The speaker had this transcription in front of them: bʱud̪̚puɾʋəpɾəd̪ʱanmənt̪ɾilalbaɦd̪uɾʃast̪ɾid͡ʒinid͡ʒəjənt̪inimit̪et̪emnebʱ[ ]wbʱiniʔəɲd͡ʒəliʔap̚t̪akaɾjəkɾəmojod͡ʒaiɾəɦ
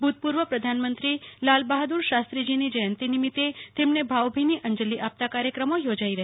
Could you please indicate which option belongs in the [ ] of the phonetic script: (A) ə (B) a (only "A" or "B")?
B